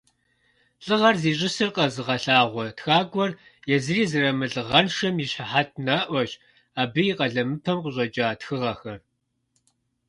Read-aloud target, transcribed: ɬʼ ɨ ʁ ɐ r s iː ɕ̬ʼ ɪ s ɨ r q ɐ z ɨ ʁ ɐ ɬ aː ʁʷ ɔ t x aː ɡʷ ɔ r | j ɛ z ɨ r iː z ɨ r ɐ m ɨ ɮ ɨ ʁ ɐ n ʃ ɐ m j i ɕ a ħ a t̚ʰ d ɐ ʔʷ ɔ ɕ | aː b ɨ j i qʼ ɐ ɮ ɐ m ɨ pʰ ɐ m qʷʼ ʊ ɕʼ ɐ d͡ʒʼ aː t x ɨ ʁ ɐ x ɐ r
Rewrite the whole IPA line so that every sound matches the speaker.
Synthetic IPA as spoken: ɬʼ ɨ ʁ ɐ r z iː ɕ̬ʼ ɪ s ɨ r q ɐ z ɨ ʁ ɐ ɬ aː ʁʷ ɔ t x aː ɡʷ ɔ r | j ɛ z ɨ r iː z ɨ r ɐ m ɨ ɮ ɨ ʁ ɐ n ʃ ɐ m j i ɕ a ħ a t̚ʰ n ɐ ʔʷ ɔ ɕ | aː b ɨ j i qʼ ɐ ɮ ɐ m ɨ pʰ ɐ m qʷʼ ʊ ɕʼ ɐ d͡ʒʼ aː t x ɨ ʁ ɐ x ɐ r